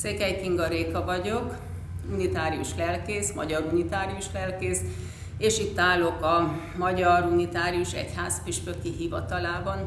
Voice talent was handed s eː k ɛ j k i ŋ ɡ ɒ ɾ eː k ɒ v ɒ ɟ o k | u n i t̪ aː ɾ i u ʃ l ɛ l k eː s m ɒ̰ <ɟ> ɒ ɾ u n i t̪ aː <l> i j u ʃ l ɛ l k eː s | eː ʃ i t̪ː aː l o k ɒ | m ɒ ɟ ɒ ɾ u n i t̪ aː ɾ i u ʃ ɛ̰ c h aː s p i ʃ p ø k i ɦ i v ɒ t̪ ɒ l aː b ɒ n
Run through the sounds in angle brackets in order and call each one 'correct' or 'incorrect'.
correct, incorrect: ɾ

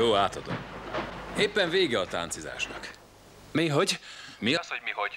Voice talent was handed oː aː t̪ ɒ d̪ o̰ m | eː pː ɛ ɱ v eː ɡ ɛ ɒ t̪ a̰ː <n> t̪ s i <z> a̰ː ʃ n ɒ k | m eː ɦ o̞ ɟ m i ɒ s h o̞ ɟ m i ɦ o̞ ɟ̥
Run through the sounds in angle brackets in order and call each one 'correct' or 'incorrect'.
correct, correct

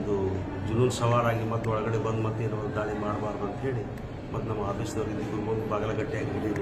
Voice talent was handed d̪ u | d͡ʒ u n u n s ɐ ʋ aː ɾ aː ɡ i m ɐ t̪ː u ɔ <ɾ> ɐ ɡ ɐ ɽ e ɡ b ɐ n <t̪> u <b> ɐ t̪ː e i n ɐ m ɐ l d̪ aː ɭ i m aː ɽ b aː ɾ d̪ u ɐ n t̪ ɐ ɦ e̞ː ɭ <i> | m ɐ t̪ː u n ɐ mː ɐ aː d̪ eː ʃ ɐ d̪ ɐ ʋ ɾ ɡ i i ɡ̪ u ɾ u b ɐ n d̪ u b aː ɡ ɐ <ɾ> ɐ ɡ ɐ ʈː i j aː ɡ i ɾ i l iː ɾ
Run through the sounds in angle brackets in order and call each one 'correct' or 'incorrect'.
incorrect: ɭ, incorrect: d̪, incorrect: m, correct, incorrect: l

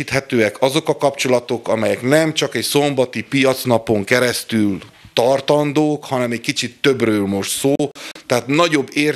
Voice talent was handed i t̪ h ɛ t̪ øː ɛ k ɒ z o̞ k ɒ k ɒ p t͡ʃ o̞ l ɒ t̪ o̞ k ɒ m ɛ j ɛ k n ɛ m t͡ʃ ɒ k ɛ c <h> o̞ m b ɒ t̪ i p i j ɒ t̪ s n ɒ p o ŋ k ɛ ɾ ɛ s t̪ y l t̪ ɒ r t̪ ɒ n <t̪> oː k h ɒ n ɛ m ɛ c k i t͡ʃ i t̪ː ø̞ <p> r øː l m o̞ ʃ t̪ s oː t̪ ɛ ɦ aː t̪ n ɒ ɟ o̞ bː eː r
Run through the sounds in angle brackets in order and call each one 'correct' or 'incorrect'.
incorrect: s, incorrect: d̪, incorrect: b

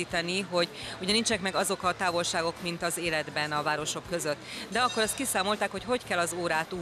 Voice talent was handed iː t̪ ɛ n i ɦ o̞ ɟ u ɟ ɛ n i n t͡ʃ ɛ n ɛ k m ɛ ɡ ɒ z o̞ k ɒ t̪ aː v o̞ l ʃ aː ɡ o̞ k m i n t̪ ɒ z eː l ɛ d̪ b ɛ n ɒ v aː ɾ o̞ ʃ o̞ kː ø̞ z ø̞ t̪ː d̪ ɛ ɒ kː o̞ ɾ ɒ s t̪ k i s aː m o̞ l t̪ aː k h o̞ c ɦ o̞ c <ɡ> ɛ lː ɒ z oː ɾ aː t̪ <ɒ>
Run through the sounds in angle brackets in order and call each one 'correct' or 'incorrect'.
incorrect: k, incorrect: u

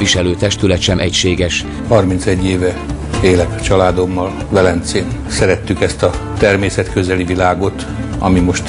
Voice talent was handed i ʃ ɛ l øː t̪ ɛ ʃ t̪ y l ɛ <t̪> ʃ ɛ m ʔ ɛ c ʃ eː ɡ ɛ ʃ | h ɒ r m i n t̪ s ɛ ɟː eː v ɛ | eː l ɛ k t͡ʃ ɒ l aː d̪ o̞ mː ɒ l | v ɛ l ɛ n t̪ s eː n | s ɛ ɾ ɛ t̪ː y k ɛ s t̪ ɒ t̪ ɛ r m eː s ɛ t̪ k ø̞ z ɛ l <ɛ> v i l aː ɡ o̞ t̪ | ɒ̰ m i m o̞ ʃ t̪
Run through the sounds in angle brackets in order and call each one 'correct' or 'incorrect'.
correct, incorrect: i

